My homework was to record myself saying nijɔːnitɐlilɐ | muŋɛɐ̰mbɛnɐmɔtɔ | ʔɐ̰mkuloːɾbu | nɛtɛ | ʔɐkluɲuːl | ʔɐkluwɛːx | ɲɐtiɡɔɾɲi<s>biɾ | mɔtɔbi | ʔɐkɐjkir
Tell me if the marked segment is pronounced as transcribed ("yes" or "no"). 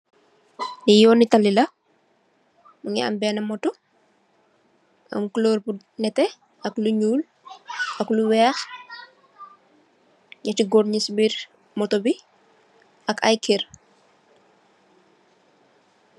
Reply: yes